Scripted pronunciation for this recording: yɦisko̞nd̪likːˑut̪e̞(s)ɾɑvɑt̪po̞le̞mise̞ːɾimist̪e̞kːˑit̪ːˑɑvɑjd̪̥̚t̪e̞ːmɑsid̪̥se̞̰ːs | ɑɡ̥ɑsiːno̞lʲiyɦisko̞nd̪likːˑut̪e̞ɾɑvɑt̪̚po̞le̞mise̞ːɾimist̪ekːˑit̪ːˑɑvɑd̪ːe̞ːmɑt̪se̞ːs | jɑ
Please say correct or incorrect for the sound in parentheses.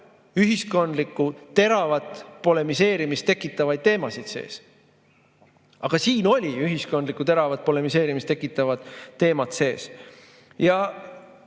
incorrect